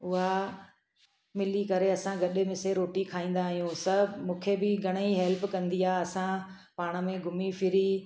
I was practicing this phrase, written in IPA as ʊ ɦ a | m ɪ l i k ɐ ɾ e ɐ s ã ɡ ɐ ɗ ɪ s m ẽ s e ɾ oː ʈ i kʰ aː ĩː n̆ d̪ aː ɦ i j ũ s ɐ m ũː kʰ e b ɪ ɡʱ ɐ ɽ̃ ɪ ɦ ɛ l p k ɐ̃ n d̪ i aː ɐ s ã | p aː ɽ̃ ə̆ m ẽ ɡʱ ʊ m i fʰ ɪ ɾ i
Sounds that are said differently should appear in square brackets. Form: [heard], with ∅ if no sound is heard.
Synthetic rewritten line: ʊ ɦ a | m ɪ l i k ɐ ɾ e ɐ s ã ɡ ɐ ɗ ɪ [∅] m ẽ s e ɾ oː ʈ i kʰ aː ĩː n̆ d̪ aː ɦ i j ũ s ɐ m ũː kʰ e b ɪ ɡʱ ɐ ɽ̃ [i] ɦ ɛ l p k ɐ̃ n d̪ i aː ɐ s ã | p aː ɽ̃ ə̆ m ẽ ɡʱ ʊ m i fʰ ɪ ɾ i